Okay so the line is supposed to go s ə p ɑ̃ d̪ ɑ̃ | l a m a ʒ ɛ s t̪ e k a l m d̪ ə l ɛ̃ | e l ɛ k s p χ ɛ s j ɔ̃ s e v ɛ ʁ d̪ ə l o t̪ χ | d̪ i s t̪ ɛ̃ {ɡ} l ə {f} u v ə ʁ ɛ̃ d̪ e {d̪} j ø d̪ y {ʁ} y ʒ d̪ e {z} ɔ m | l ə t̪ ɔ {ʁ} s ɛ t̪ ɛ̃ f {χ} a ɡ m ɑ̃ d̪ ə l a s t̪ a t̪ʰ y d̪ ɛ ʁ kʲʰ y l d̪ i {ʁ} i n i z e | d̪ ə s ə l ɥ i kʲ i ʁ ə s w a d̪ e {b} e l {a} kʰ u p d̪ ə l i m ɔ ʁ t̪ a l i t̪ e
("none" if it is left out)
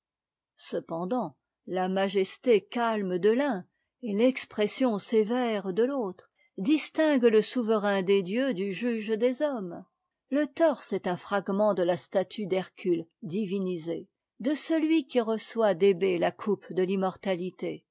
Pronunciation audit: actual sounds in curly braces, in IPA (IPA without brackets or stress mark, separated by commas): ɡ, s, d̪, ʒ, z, ʁ, χ, v, b, a